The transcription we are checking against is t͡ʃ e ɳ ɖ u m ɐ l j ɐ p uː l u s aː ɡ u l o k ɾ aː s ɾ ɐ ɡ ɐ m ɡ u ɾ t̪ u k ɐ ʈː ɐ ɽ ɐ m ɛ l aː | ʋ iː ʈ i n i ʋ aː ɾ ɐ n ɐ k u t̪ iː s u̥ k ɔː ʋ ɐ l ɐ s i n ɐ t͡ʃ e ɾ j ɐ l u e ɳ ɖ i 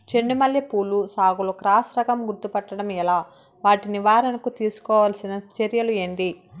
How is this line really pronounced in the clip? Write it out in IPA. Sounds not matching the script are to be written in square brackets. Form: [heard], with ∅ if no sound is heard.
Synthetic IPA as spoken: t͡ʃ e ɳ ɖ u m ɐ l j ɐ p uː l u s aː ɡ u l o k ɾ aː s ɾ ɐ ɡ ɐ m ɡ u ɾ t̪ u [p] ɐ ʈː ɐ ɽ ɐ m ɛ l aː | ʋ [aː] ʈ i n i ʋ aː ɾ ɐ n ɐ k u t̪ iː s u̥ k ɔː ʋ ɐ l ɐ s i n ɐ t͡ʃ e ɾ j ɐ l u e ɳ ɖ i